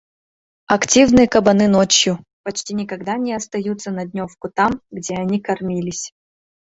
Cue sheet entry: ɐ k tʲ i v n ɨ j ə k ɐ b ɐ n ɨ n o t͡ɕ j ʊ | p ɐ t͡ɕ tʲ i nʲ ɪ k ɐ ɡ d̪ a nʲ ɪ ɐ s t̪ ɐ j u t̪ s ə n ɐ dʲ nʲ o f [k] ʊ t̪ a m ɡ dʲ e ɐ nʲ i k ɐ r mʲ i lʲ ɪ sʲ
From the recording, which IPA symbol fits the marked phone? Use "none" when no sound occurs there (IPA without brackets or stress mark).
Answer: k